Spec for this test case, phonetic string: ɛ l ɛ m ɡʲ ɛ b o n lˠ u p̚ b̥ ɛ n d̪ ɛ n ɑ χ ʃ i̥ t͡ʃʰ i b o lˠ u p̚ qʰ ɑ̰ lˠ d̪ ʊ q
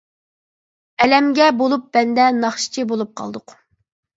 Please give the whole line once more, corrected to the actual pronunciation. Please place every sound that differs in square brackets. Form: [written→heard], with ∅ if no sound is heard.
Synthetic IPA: ɛ l ɛ m ɡʲ ɛ b o [n→∅] lˠ u p̚ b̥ ɛ n d̪ ɛ n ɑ χ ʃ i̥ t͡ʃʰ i b o lˠ u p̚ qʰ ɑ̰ lˠ d̪ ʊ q